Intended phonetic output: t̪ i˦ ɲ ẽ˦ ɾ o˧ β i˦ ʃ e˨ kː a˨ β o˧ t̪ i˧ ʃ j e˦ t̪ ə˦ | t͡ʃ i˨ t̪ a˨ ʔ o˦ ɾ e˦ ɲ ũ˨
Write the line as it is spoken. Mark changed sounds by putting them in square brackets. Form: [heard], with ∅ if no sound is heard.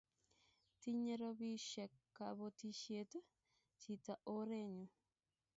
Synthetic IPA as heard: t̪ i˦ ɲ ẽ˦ ɾ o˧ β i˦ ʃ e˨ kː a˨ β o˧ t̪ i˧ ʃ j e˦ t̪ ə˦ | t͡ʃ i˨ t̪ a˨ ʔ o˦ ɾ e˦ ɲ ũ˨